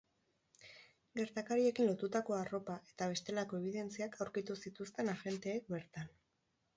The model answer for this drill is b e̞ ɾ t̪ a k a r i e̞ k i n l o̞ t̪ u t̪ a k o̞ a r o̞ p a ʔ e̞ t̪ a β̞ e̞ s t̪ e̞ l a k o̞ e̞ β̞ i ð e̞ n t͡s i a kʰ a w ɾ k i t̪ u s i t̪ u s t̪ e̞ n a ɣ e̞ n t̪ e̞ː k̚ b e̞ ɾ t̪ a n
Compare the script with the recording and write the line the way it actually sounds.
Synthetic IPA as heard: ɡ e̞ ɾ t̪ a k a ɾ i e̞ k i n l o̞ t̪ u t̪ a k o̞ a r o̞ p a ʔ e̞ t̪ a β̞ e̞ s t̪ e̞ l a k o̞ e̞ β̞ i ð e̞ n t͡s i a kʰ a w ɾ k i t̪ u s i t̪ u s t̪ e̞ n a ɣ e̞ n t̪ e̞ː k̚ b e̞ ɾ t̪ a n